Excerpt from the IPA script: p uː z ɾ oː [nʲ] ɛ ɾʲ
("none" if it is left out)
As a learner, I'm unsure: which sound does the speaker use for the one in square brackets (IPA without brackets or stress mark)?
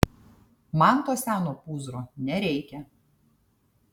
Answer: nʲ